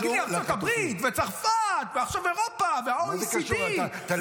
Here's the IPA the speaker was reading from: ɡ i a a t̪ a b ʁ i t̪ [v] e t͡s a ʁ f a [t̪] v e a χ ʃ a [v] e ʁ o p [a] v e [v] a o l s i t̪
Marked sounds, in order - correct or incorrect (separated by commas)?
correct, correct, correct, correct, incorrect